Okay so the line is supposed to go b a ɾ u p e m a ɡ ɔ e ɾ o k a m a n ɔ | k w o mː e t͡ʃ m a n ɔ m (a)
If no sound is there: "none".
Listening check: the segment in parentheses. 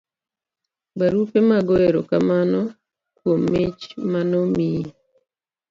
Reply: i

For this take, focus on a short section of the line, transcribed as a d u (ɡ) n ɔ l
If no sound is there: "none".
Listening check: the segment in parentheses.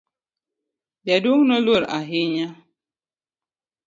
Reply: ŋ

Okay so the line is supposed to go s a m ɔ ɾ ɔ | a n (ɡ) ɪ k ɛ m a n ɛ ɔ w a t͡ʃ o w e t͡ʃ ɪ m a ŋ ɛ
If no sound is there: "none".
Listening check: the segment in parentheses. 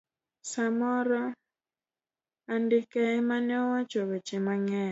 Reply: d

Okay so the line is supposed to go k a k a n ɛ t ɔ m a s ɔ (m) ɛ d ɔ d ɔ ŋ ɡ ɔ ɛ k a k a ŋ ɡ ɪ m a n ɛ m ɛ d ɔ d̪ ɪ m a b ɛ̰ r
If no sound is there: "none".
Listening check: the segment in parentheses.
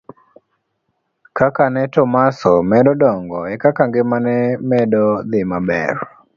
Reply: m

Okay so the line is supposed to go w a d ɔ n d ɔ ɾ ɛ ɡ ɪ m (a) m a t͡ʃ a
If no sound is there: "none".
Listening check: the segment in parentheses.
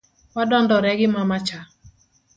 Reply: a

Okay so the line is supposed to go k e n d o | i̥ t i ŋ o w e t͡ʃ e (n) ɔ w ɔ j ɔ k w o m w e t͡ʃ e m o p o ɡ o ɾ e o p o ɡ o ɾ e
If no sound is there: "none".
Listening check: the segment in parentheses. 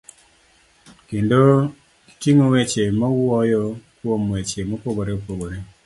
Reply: m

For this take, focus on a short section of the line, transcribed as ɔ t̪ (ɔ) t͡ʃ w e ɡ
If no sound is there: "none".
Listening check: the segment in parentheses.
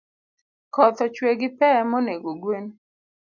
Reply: ɔ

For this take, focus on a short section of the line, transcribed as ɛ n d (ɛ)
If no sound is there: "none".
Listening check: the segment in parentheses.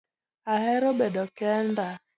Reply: a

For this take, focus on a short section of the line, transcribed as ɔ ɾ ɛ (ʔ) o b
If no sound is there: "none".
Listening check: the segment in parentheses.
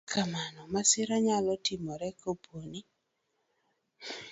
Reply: k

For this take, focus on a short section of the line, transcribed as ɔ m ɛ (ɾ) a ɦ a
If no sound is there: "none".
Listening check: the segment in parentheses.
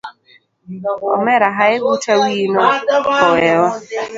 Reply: ɾ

